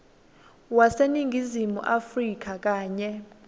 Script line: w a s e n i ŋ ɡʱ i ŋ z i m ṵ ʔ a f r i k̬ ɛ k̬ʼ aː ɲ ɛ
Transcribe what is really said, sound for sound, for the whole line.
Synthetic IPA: w a s e n i ŋ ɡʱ i z i m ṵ ʔ a f r i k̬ a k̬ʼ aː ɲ ɛ